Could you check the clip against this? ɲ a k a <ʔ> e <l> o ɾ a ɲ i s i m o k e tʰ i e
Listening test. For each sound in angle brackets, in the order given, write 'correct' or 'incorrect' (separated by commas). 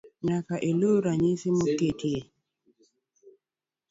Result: correct, correct